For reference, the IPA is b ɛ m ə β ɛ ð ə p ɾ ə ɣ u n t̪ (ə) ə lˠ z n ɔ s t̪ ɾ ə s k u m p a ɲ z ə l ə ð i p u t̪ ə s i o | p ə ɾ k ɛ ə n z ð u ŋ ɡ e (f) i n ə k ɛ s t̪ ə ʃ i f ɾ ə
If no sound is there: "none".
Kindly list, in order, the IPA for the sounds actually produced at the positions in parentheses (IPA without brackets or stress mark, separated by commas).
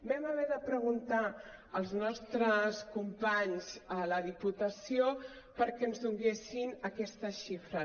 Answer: a, s